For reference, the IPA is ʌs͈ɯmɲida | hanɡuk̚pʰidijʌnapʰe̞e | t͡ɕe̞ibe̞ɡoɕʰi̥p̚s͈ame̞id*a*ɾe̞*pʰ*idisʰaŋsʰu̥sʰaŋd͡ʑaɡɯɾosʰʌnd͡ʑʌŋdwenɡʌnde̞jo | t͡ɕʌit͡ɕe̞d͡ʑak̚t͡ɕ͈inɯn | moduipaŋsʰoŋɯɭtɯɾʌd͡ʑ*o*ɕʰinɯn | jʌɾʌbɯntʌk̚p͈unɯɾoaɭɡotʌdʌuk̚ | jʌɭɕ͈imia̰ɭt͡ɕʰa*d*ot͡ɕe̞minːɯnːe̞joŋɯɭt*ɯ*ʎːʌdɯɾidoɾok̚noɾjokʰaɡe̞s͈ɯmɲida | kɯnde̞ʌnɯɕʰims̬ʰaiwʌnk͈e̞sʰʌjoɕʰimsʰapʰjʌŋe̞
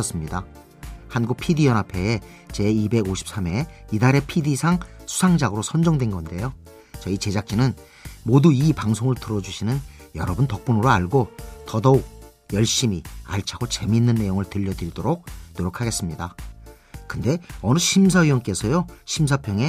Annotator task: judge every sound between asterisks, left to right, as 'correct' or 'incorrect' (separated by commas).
correct, correct, incorrect, incorrect, correct